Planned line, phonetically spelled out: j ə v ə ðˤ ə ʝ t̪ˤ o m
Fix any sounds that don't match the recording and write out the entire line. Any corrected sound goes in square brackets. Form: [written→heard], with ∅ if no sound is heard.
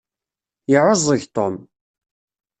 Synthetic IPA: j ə [v→ʕ] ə [ðˤ→zˤ] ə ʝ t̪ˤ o m